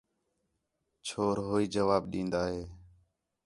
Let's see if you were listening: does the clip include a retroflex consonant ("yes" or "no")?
no